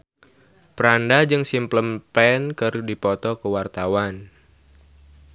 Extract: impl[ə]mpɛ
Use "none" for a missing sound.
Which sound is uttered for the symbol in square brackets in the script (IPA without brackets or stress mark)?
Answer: ə